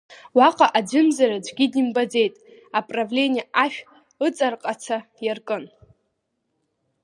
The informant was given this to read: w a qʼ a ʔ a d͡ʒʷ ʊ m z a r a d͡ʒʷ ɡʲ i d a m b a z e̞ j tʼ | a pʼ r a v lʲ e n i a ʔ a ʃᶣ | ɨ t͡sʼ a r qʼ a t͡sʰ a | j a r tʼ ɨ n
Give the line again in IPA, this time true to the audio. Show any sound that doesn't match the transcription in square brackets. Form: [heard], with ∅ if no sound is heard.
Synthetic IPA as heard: w a qʼ a ʔ a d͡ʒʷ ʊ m z a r a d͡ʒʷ ɡʲ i d [i] m b a [d͡z] e̞ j tʼ | a pʼ r a v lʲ e n i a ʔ a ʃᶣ | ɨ t͡sʼ a r qʼ a t͡sʰ a | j a r [kʼ] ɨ n